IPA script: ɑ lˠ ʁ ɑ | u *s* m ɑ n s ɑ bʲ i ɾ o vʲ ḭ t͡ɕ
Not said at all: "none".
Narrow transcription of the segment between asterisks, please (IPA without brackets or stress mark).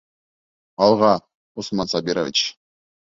s